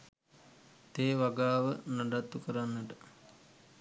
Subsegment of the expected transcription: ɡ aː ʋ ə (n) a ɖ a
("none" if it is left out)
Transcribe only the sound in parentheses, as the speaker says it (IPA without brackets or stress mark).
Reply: n